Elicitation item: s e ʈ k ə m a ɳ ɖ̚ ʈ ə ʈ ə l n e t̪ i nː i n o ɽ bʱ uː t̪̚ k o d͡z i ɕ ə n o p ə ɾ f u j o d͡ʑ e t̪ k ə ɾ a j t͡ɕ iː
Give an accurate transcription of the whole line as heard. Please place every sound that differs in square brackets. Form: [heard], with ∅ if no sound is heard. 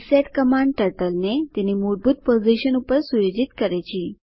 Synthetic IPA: s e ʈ k ə m a ɳ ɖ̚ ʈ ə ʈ ə l n e t̪ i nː i [m] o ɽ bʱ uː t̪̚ [p] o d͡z i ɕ ə n [u] p ə ɾ [s] u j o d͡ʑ [i] t̪ k ə ɾ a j t͡ɕ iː